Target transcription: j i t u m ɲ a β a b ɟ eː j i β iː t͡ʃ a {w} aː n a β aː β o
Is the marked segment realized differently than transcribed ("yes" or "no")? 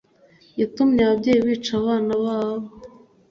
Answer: yes